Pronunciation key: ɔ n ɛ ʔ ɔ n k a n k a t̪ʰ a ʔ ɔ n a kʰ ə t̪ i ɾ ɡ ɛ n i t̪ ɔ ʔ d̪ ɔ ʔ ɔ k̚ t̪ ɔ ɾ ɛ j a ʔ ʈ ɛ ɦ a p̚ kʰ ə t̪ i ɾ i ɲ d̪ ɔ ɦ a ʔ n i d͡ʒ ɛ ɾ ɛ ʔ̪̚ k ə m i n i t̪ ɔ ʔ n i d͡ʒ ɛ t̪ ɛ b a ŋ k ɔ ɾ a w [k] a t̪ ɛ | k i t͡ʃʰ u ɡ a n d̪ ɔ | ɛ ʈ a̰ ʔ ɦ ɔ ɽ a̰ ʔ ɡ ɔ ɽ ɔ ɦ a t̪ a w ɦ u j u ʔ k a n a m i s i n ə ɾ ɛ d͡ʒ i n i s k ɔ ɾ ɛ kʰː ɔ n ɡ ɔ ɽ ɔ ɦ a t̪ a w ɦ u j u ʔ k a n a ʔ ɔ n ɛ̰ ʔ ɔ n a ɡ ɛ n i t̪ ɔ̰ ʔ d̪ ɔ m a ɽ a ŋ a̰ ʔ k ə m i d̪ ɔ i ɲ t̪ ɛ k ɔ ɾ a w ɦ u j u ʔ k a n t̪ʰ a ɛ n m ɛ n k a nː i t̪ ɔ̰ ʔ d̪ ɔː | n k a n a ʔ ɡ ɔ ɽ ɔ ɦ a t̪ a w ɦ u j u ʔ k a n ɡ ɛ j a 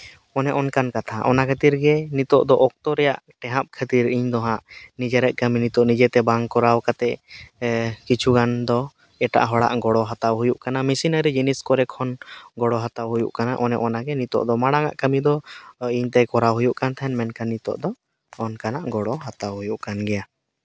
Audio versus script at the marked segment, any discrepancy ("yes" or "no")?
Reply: no